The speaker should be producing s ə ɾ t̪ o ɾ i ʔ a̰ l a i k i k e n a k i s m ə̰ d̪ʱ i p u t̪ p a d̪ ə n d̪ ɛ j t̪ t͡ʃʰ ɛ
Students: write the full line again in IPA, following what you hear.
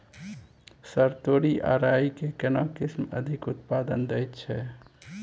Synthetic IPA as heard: s ə ɾ t̪ o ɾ i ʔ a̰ ɾ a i k e k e n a k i s m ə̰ d̪ʱ i k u t̪ p a d̪ ə n d̪ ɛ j t̪ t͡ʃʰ ɛ